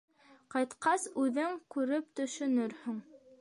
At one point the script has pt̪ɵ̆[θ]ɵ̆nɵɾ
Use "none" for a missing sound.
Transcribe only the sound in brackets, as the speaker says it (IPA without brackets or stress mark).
ʃ